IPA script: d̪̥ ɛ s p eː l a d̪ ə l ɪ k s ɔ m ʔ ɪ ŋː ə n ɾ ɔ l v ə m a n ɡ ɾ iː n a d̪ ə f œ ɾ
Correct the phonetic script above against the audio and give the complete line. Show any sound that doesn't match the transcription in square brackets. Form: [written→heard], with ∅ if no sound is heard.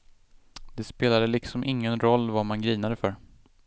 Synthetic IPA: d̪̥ ɛ s p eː l a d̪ ə l ɪ k s ɔ m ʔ ɪ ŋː ə n ɾ ɔ [l→lː] v [ə→a] m a n ɡ ɾ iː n a d̪ ə f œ ɾ